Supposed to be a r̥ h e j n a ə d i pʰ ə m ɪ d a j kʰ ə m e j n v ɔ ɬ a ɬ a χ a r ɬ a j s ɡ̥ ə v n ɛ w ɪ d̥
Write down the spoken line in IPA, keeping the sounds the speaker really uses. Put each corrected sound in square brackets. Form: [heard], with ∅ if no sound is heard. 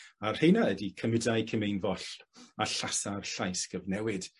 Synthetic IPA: a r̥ h e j n a ə d i [kʰ] ə m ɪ d a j kʰ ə m e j n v ɔ ɬ a ɬ a [s] a r ɬ a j s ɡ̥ ə v n ɛ w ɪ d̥